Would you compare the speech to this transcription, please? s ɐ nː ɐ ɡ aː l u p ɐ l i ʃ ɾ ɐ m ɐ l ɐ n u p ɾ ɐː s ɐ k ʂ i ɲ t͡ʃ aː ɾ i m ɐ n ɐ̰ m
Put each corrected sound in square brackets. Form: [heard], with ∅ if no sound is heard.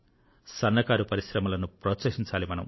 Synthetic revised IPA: s ɐ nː ɐ [k] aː [ɾ] u p ɐ [ɾ] i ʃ ɾ ɐ m ɐ l ɐ n u p ɾ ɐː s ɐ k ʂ i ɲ t͡ʃ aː [l] i m ɐ n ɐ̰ m